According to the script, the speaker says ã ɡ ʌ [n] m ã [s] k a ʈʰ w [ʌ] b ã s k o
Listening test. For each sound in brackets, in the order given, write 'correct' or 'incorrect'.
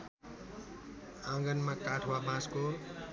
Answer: correct, incorrect: none, incorrect: a

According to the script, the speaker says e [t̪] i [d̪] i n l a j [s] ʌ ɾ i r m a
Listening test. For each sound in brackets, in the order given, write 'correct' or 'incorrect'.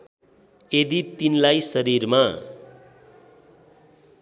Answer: incorrect: d̪, incorrect: t̪, correct

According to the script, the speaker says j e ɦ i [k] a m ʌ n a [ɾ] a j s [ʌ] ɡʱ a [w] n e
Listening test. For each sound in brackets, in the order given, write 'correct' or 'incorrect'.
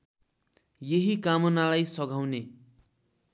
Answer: correct, incorrect: l, correct, correct

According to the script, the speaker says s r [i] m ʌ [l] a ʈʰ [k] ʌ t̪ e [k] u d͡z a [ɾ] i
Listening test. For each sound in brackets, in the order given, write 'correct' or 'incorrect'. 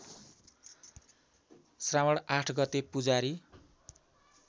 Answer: incorrect: a, incorrect: ɽ, incorrect: ɡ, incorrect: p, correct

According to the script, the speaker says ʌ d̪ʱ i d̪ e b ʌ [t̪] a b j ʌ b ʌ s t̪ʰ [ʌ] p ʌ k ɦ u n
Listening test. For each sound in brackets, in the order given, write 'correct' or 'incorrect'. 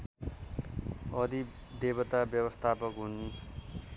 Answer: correct, incorrect: a

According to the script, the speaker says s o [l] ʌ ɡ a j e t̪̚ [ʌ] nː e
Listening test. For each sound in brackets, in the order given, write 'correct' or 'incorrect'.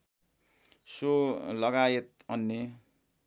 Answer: correct, correct

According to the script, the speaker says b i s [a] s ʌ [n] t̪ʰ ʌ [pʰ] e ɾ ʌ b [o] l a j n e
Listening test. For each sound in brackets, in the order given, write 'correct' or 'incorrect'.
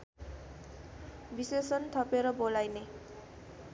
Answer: incorrect: e, correct, incorrect: p, correct

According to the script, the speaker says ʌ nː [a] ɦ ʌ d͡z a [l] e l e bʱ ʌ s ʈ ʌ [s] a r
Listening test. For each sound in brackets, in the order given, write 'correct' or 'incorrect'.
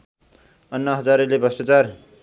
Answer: incorrect: ʌ, incorrect: ɾ, incorrect: t͡s

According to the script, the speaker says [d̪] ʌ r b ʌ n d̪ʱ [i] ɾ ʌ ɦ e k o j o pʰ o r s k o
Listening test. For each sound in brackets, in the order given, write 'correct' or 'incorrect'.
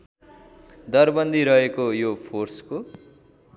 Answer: correct, correct

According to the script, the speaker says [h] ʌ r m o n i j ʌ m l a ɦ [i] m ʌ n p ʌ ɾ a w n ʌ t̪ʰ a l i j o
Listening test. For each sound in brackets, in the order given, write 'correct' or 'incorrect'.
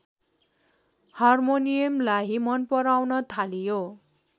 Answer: correct, correct

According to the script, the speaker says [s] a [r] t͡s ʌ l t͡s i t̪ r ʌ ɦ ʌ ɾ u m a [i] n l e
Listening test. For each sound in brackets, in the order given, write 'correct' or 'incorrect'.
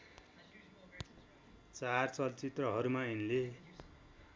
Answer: incorrect: t͡s, correct, correct

